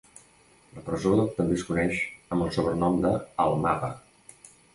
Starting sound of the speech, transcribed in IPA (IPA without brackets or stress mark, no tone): l